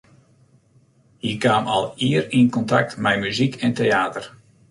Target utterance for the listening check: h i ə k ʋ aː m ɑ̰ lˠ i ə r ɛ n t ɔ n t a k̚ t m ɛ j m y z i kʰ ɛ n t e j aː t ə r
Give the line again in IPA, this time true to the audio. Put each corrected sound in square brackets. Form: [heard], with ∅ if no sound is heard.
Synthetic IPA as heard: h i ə k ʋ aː m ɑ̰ lˠ i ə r [i] n [k] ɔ n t a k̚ t m ɛ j m y z i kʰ ɛ n t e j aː t ə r